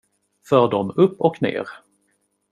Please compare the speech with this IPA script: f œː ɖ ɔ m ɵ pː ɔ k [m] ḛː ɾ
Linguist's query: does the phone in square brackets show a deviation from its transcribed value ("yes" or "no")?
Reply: yes